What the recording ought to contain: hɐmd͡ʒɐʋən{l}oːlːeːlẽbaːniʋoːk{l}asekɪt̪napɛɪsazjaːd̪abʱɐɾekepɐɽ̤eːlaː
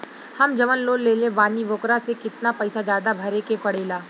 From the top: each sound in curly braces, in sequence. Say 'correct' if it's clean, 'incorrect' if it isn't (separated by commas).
correct, incorrect